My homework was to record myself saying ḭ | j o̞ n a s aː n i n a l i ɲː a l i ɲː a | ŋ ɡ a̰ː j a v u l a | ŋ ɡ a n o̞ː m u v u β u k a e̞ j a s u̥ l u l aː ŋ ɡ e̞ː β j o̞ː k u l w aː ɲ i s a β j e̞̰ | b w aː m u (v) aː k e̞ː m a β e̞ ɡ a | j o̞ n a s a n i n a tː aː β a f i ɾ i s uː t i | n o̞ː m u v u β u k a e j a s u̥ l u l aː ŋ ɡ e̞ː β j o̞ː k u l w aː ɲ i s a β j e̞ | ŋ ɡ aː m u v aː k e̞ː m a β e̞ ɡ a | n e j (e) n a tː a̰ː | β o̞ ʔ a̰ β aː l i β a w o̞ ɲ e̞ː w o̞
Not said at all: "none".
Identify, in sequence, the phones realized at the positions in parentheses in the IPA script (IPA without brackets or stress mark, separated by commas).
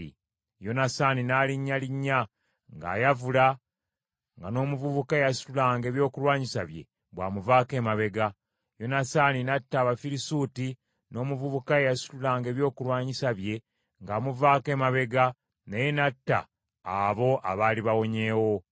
v, e